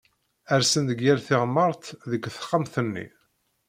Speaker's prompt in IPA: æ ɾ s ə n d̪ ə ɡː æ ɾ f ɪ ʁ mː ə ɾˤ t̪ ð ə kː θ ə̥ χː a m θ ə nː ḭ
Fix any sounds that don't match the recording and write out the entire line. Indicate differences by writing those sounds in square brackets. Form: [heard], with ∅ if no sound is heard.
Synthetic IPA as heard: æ ɾ s ə n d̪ ə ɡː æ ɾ [θ] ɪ ʁ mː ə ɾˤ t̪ ð ə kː θ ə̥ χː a m θ ə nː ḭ